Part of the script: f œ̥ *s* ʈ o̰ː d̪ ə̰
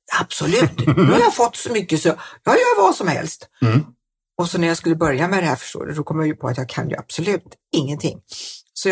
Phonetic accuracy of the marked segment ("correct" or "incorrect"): incorrect